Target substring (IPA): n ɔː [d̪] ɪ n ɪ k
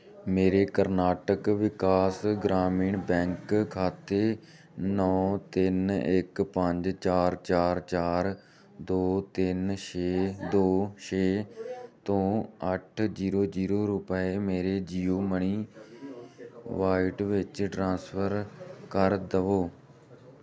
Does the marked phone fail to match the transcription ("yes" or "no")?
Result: yes